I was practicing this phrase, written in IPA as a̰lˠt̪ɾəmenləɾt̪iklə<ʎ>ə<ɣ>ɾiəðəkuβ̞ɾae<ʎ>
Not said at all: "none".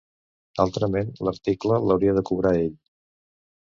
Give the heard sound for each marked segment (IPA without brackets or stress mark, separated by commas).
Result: l, w, ʎ